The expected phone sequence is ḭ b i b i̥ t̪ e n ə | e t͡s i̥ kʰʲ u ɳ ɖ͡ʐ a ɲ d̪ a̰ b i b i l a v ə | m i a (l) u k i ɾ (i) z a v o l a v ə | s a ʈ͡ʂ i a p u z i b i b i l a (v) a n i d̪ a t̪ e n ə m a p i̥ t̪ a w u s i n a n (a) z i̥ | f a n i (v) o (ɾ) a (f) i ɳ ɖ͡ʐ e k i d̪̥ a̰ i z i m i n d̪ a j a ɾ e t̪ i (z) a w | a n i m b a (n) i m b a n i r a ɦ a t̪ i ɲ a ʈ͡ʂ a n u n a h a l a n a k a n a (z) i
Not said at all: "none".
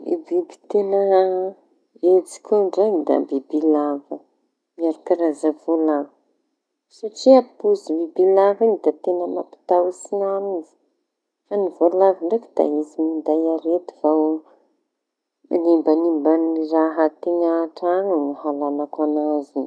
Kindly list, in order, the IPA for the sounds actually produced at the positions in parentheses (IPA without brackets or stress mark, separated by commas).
ɾ, a, v, i, v, l, v, v, n, z